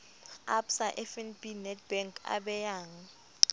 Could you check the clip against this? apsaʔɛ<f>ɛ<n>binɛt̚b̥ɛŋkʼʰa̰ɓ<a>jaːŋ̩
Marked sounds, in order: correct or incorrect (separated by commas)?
correct, correct, incorrect